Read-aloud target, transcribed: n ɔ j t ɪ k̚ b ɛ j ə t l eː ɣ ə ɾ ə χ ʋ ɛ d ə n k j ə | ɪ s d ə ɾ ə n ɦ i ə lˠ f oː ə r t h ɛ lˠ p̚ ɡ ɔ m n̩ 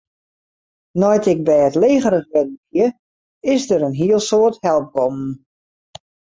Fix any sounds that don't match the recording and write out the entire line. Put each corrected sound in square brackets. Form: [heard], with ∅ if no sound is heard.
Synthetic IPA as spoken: n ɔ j t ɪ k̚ b ɛ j ə t l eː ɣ ə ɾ ə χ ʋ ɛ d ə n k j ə | ɪ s d ə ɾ ə n ɦ i ə lˠ [s] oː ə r t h ɛ lˠ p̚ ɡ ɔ m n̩